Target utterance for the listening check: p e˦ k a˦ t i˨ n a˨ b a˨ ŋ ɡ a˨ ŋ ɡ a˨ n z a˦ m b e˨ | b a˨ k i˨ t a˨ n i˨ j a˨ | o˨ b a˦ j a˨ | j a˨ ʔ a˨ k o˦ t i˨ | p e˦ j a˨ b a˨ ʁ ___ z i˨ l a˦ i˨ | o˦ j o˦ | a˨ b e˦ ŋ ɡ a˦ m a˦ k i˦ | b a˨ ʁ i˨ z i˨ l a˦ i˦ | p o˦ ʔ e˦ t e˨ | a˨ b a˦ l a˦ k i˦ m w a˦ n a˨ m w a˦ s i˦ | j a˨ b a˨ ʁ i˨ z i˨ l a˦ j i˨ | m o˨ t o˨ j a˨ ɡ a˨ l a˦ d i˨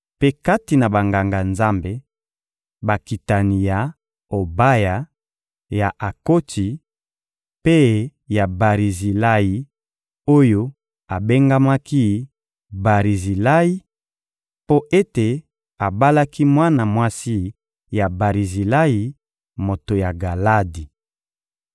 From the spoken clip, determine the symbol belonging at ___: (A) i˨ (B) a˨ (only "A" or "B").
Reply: A